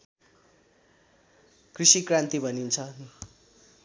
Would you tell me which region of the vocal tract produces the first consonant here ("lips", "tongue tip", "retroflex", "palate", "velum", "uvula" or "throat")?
velum